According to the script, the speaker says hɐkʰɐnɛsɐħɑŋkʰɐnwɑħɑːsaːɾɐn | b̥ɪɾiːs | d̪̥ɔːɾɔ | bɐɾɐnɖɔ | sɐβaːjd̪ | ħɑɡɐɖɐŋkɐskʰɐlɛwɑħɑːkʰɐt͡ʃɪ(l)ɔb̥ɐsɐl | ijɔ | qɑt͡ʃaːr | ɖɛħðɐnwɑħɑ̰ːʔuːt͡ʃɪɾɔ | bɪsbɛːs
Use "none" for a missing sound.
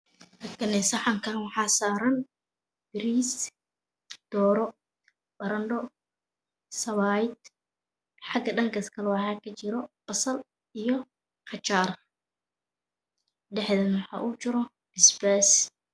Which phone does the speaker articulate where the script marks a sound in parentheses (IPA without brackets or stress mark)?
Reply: ɾ